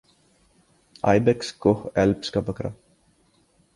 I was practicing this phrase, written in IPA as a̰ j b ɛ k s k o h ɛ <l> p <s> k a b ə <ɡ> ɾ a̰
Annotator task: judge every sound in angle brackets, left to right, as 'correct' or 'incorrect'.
correct, correct, incorrect: k

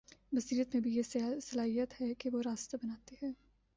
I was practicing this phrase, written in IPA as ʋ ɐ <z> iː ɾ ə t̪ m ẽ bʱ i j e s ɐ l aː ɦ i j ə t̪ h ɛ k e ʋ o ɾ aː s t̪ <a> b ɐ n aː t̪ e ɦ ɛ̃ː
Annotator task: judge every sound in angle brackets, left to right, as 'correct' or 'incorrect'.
incorrect: s, correct

